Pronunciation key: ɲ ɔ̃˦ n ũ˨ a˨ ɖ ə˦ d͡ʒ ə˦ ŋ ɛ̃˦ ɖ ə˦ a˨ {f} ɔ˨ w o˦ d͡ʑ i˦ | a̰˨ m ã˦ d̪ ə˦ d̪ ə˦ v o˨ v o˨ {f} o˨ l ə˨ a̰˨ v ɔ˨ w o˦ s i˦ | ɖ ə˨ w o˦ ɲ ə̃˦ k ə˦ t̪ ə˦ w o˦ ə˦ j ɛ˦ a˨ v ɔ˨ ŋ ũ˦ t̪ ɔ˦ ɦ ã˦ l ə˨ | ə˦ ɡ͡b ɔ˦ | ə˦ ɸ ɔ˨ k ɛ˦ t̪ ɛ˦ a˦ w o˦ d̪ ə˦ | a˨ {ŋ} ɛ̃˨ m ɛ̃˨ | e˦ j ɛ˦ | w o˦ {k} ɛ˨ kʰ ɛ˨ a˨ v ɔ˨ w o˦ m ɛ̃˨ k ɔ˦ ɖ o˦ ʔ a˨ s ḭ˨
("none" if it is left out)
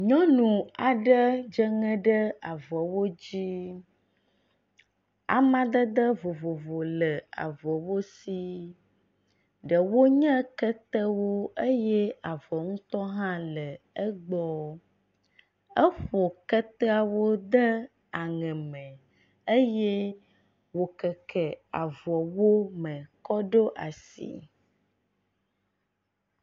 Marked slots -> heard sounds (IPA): v, v, ŋ, k

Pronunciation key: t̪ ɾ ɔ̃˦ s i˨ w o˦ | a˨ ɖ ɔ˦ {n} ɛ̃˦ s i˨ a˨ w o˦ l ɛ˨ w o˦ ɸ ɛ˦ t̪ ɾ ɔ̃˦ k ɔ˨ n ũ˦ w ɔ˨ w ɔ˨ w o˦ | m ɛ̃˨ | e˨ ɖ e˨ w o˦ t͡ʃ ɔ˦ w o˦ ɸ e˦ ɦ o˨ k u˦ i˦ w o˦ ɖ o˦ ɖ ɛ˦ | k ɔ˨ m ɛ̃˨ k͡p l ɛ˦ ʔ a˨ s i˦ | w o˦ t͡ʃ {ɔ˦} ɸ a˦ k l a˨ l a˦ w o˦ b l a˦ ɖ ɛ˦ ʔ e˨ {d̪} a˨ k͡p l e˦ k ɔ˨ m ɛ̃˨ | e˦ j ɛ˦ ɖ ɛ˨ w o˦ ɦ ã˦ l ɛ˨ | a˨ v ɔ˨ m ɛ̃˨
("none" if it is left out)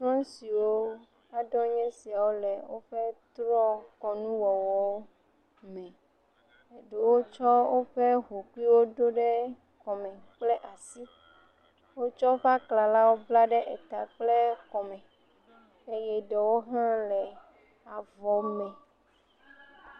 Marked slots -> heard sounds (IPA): ɲ, ɔ˦, t̪

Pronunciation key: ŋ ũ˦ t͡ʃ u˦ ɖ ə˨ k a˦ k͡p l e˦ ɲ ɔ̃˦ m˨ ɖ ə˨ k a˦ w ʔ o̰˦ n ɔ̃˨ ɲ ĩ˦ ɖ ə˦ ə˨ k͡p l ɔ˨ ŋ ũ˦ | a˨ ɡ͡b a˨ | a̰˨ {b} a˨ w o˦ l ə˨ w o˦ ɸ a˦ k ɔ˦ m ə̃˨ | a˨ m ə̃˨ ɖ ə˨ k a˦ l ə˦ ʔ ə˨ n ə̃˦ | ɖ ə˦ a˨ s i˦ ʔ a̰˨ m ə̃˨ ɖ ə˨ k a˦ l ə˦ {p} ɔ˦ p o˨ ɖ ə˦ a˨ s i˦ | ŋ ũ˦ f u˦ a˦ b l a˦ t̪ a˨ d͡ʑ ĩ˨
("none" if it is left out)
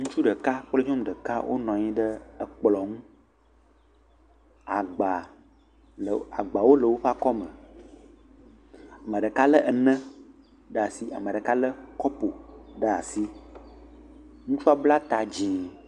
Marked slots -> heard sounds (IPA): ɡ͡b, k

